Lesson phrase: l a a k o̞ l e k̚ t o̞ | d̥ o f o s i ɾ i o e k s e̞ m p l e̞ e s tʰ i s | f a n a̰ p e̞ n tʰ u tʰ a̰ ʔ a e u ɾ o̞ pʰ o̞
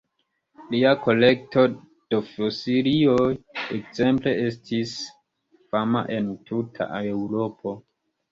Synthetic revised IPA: l i a k o̞ l e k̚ t o̞ | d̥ o f o s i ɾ i o e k z e̞ m p l e̞ e s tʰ i s | f a m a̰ ʔ e̞ n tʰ u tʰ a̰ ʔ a e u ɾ o̞ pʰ o̞